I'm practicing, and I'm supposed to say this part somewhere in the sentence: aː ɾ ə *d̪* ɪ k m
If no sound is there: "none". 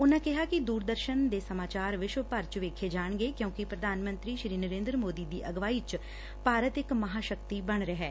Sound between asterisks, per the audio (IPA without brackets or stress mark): t̪